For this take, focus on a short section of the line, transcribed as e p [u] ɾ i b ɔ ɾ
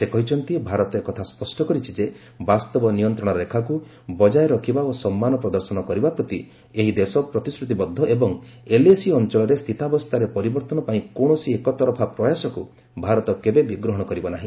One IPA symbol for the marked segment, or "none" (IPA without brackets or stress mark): ɔ